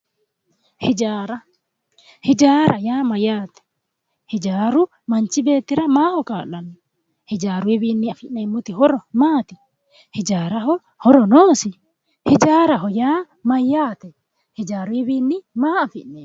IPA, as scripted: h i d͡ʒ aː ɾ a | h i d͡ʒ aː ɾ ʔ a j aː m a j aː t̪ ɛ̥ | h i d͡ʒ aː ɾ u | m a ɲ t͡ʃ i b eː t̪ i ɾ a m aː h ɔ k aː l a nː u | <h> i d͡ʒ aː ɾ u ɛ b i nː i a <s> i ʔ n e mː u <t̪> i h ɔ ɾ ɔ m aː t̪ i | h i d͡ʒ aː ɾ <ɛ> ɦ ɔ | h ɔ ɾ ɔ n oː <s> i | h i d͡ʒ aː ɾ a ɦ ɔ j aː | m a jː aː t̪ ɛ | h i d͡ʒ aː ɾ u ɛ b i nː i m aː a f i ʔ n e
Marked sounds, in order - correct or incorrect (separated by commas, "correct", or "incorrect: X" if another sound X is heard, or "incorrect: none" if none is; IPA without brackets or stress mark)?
correct, incorrect: f, correct, incorrect: a, correct